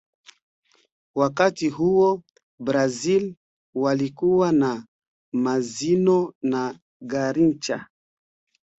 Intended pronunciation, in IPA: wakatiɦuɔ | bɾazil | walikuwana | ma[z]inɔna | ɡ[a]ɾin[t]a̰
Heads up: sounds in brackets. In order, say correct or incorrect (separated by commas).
correct, correct, incorrect